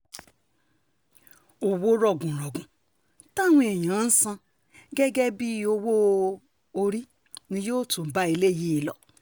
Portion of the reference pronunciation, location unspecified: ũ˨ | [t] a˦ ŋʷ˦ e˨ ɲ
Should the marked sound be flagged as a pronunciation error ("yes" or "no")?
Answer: no